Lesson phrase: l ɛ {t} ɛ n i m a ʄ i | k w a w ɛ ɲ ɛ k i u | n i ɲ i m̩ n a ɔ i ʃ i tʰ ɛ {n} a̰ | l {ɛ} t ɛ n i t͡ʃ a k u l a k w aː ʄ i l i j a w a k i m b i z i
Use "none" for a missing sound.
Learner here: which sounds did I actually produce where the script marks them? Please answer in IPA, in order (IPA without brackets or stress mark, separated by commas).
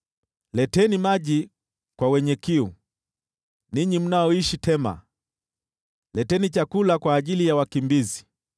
t, m, ɛ